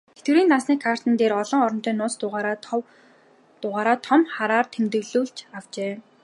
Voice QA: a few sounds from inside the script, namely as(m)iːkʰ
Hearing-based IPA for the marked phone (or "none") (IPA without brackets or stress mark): n